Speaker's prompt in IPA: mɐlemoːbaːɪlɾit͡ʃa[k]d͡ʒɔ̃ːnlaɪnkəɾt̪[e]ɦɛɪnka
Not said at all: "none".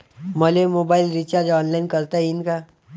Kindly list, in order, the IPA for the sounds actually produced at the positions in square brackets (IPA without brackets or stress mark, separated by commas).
none, a